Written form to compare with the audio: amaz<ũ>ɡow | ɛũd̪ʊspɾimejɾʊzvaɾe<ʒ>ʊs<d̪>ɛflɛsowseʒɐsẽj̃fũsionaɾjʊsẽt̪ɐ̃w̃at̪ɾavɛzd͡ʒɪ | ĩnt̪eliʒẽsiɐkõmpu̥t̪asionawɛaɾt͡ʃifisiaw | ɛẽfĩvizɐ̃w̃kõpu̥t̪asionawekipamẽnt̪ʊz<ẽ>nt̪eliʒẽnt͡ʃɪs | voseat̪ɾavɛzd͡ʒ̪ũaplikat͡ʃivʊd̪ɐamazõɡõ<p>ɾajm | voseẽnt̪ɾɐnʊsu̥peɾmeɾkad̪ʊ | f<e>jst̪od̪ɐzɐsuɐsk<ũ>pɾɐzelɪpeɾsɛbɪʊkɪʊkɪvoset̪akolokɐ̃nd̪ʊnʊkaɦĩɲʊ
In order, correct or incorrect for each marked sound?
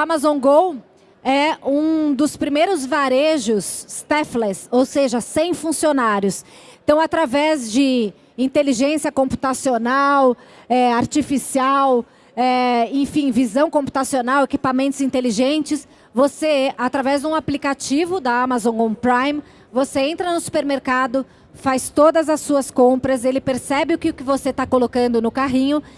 incorrect: õ, correct, incorrect: t̪, incorrect: ĩ, correct, incorrect: a, incorrect: õ

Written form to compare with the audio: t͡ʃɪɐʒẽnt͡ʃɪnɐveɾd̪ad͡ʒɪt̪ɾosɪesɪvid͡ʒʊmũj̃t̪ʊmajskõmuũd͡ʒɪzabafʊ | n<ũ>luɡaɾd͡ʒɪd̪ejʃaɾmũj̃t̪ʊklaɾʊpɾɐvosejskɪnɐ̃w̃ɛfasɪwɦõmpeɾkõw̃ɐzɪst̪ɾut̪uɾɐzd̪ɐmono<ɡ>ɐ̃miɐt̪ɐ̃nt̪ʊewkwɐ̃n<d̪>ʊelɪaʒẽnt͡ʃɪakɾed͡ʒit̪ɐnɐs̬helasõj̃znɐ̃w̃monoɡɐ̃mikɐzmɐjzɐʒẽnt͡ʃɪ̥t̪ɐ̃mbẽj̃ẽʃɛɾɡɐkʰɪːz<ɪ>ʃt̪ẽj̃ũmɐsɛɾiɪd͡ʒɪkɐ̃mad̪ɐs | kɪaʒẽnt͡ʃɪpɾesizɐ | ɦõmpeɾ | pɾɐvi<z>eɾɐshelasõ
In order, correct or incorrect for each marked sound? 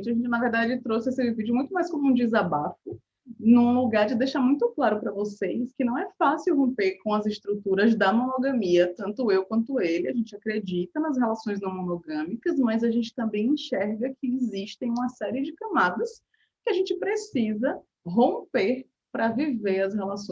correct, correct, incorrect: t̪, incorrect: i, incorrect: v

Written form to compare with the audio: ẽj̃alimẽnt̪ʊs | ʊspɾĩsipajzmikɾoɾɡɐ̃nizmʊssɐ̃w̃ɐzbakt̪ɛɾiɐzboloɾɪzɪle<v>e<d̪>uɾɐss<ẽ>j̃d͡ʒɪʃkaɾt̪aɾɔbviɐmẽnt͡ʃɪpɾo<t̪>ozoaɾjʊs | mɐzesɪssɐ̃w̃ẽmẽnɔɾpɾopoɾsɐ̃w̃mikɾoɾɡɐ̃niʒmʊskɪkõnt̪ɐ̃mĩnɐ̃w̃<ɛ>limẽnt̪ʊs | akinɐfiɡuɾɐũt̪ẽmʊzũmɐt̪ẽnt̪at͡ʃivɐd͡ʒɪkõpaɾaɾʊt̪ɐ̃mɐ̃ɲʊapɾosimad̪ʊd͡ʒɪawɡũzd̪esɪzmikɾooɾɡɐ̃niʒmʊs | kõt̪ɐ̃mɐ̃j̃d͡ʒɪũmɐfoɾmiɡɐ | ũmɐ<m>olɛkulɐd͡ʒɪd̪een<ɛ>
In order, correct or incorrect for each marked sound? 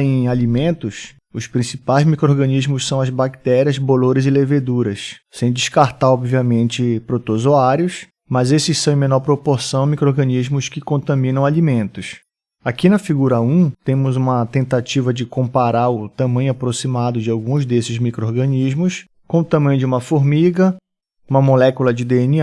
correct, correct, correct, correct, incorrect: a, correct, incorrect: i

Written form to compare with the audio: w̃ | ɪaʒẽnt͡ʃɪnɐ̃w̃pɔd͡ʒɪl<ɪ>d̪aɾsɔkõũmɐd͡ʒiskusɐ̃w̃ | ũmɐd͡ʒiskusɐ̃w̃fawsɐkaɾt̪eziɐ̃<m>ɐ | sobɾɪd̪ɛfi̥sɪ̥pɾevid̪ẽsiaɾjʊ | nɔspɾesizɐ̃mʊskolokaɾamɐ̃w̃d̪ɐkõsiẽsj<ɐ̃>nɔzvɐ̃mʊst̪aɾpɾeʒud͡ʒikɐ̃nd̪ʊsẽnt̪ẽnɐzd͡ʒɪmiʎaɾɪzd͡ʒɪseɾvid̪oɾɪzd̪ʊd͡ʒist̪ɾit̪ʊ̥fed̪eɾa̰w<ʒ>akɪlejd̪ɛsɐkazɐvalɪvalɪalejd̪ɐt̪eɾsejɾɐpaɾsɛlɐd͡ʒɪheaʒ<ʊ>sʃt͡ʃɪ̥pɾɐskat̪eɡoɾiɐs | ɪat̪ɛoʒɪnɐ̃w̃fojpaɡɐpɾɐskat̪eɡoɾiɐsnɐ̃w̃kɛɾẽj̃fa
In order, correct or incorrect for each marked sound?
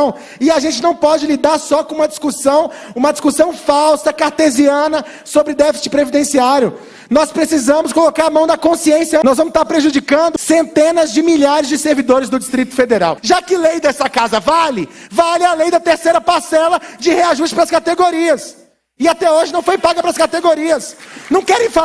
incorrect: i, incorrect: n, incorrect: ɐ, correct, incorrect: u

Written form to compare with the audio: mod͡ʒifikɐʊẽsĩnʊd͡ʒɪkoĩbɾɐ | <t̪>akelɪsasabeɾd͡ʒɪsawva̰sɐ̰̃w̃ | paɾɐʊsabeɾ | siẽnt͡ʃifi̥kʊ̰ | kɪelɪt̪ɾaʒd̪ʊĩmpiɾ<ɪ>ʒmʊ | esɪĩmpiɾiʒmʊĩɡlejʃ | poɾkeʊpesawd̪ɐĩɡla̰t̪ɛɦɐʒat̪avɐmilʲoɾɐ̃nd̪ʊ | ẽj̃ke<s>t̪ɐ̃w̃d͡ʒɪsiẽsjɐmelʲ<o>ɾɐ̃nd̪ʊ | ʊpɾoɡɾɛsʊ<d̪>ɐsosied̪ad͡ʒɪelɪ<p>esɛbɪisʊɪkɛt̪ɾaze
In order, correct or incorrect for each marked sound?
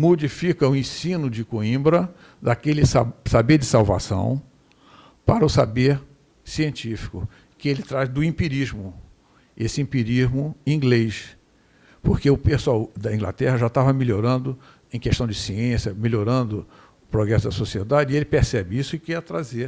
incorrect: d̪, incorrect: i, incorrect: ʃ, correct, correct, correct

